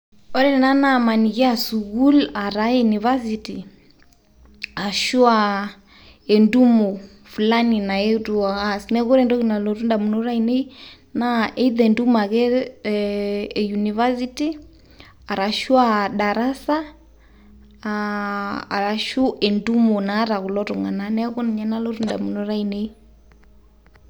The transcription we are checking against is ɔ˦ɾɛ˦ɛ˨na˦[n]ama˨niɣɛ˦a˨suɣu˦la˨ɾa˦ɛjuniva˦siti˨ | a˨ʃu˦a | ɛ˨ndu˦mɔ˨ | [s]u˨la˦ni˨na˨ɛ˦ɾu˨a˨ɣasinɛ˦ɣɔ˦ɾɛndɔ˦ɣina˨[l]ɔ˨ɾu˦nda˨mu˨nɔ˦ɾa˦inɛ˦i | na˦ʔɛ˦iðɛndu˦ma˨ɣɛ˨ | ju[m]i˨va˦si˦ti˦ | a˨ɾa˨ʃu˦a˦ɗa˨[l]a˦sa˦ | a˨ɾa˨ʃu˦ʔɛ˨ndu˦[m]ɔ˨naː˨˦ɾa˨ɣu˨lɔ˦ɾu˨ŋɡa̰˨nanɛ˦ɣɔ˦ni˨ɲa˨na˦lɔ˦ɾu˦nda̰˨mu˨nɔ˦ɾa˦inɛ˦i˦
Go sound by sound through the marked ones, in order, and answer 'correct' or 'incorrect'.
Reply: correct, incorrect: f, correct, incorrect: n, incorrect: ɾ, correct

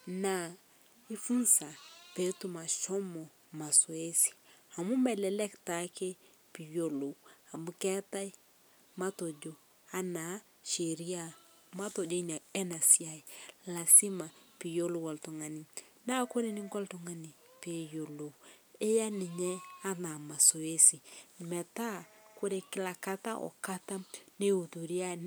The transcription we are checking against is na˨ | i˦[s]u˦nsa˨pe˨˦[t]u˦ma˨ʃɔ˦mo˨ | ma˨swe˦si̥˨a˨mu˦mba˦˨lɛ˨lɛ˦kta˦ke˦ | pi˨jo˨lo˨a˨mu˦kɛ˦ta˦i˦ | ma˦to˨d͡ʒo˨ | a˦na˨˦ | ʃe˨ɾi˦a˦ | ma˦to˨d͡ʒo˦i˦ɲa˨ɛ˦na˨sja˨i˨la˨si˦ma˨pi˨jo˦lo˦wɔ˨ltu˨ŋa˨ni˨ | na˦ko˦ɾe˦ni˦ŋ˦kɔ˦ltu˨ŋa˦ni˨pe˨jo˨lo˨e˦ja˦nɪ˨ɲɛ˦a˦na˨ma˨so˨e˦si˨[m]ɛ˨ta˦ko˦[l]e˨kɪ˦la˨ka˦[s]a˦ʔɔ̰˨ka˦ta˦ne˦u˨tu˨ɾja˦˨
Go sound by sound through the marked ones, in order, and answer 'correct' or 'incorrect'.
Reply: incorrect: f, correct, correct, incorrect: ɾ, incorrect: t

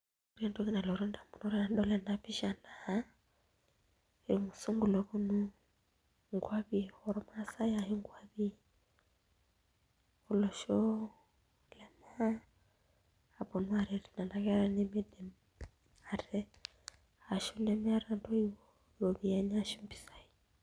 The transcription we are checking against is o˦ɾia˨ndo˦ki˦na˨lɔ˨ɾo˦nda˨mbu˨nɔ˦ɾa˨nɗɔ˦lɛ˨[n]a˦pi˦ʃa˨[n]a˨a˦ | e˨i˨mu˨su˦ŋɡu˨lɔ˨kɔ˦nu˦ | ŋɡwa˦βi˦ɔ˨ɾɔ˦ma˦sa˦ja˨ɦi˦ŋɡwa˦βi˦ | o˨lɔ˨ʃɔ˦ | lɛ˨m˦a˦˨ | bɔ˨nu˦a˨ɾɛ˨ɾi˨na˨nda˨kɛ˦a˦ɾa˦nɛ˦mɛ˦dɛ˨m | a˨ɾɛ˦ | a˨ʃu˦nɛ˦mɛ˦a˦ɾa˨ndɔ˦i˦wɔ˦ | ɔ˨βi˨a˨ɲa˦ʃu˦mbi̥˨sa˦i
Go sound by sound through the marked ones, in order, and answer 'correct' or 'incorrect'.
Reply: correct, correct

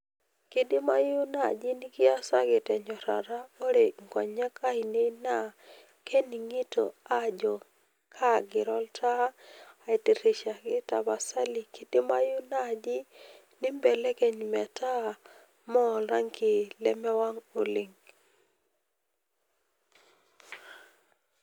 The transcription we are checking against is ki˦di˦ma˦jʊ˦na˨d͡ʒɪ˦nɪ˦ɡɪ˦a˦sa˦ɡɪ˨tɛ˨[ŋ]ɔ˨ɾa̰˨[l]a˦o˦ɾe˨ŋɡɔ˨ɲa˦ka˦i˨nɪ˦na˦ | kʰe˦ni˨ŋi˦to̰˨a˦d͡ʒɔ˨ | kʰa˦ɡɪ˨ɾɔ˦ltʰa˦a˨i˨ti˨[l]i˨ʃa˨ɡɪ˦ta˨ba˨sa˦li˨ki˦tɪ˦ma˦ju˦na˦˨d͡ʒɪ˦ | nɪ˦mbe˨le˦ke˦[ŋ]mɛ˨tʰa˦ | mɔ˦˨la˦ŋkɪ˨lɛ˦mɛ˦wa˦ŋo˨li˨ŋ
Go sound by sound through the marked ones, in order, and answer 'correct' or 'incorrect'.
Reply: incorrect: ɲ, incorrect: ɾ, incorrect: ɾ, incorrect: ɲ

